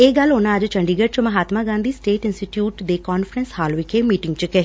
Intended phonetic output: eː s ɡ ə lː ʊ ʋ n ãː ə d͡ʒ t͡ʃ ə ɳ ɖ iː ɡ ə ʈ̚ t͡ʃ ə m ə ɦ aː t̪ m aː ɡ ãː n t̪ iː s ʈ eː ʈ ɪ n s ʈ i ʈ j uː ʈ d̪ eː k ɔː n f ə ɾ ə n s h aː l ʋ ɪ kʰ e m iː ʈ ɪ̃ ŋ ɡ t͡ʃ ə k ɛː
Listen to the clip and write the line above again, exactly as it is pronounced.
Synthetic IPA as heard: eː ɡ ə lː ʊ n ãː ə d͡ʒ t͡ʃ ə ɳ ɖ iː ɡ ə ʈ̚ t͡ʃ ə m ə ɦ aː t̪ m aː ɡ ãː n d̪ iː s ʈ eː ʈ ɪ n s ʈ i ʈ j uː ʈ d̪ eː k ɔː n f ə ɾ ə n s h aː l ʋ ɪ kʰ e m iː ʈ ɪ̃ ŋ ɡ t͡ʃ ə k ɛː